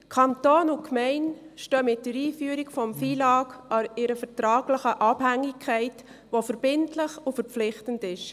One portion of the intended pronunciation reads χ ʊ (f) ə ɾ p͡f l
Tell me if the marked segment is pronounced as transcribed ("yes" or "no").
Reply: yes